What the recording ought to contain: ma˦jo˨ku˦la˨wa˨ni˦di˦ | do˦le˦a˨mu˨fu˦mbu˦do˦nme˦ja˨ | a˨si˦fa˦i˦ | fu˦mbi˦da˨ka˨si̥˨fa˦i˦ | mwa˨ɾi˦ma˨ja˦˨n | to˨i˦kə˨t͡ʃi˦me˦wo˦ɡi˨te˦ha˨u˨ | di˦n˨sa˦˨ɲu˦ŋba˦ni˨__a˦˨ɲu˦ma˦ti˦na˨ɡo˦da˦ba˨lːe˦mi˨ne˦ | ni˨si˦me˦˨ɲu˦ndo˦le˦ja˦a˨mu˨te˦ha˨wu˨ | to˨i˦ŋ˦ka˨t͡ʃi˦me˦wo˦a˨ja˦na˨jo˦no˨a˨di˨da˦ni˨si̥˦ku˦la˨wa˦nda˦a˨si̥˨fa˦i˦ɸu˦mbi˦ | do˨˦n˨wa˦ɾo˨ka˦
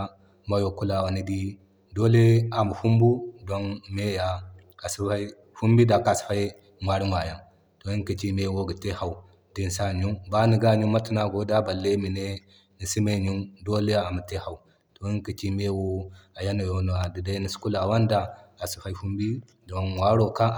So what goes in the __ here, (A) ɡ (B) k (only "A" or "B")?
A